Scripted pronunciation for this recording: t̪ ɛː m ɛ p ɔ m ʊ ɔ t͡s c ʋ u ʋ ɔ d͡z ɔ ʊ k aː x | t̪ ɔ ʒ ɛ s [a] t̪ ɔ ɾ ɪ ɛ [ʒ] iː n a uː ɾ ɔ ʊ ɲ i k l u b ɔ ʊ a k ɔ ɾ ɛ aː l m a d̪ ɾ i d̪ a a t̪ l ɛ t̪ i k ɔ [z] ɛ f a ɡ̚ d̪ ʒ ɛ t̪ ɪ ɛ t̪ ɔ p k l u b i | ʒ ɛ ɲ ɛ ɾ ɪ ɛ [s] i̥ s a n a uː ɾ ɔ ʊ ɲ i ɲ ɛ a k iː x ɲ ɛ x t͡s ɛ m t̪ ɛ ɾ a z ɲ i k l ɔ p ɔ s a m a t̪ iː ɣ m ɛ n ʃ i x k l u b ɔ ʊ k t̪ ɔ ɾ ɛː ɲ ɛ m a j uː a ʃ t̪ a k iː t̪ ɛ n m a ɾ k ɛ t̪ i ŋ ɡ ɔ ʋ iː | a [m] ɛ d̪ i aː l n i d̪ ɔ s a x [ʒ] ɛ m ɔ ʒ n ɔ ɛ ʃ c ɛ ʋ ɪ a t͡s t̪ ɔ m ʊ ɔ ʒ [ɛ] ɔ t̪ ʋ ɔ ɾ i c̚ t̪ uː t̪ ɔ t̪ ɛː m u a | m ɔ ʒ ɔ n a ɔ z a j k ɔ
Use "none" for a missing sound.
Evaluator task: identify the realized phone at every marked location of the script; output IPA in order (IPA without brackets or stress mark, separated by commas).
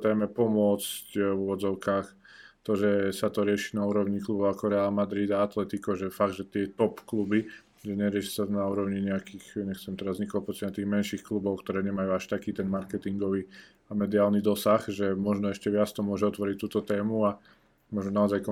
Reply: a, ʃ, ʒ, ʃ, m, ʒ, ɛ